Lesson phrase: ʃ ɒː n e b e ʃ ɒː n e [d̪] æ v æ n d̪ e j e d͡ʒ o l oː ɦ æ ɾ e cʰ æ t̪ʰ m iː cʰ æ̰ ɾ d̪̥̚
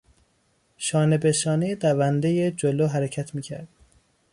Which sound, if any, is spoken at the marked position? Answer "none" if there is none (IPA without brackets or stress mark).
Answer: d̪